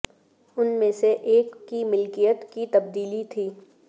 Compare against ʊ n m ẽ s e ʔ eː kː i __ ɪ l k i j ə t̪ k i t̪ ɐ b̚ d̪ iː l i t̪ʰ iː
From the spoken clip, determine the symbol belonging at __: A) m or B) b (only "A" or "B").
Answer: A